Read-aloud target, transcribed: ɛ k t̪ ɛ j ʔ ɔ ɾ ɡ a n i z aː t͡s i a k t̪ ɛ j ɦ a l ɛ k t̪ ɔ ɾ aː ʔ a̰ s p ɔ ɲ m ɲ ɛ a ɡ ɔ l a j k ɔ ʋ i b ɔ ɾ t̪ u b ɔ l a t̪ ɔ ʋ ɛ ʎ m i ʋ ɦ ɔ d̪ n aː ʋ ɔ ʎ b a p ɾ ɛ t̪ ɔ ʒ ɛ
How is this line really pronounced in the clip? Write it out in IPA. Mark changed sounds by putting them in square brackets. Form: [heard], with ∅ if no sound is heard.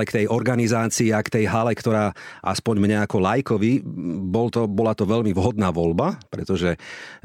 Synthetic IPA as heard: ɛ k t̪ ɛ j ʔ ɔ ɾ ɡ a n i z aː t͡s [iː] a k t̪ ɛ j ɦ a l ɛ k t̪ ɔ ɾ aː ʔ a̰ s p ɔ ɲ m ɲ ɛ a [k] ɔ l a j k ɔ ʋ i b ɔ [l] t̪ [ɔ] b ɔ l a t̪ ɔ ʋ ɛ ʎ m i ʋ ɦ ɔ d̪ n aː ʋ ɔ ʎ b a p ɾ ɛ t̪ ɔ ʒ ɛ